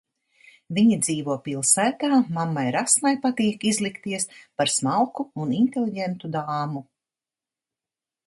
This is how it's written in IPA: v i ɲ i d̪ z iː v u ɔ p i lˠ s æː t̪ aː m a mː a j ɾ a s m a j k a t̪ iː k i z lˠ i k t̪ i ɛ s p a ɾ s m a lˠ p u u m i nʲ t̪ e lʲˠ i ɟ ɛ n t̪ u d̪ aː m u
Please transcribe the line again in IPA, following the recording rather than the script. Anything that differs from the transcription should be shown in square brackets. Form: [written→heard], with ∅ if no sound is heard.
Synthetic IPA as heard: v i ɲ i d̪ z iː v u ɔ p i lˠ s æː t̪ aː m a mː a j ɾ a s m a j [k→p] a t̪ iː k i z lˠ i k t̪ i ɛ s p a ɾ s m a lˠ [p→k] u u [m→n] i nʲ t̪ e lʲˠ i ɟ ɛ n t̪ u d̪ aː m u